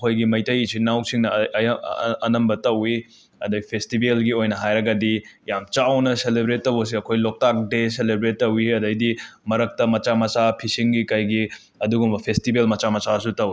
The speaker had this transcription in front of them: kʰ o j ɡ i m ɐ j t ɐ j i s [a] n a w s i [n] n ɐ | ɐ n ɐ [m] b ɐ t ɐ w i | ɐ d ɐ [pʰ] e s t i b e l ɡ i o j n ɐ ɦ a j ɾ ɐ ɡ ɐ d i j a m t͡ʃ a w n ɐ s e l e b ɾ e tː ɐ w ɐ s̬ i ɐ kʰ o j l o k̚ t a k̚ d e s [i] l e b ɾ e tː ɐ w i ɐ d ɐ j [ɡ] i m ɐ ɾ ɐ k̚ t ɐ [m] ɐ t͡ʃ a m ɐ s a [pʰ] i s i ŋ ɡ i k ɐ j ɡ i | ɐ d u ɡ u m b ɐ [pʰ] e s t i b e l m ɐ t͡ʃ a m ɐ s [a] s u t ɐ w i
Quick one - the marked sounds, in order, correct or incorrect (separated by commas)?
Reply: incorrect, incorrect, correct, correct, incorrect, incorrect, correct, correct, correct, correct